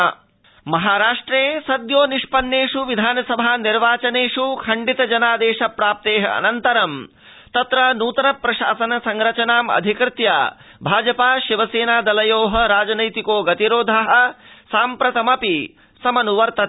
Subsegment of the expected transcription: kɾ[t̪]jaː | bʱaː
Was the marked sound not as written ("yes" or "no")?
no